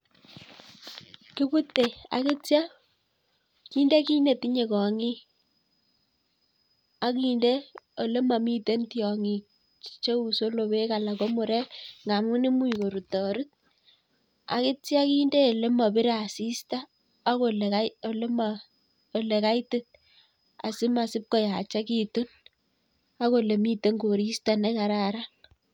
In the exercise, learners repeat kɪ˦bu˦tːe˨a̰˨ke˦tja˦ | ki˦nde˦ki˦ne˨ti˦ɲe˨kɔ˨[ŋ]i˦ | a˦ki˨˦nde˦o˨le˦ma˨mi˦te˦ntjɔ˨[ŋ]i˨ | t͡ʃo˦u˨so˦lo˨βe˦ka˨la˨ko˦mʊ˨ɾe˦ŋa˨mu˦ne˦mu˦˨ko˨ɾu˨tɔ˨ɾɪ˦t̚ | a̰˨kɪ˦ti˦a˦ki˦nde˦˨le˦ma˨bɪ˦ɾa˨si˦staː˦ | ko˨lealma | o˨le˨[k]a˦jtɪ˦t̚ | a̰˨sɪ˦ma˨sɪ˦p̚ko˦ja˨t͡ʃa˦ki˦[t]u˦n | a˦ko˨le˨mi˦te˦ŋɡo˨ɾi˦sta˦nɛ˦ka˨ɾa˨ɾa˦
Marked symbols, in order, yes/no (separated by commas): yes, yes, yes, yes